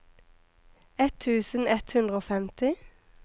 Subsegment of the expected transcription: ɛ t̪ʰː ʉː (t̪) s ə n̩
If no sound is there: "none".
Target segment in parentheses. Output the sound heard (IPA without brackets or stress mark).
none